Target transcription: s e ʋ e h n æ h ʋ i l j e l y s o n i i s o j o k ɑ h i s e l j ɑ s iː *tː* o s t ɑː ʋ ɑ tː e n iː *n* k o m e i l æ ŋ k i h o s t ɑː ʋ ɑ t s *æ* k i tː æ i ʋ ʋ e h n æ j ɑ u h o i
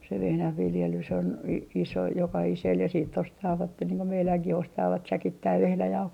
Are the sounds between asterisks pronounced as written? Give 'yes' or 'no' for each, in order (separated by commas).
yes, no, yes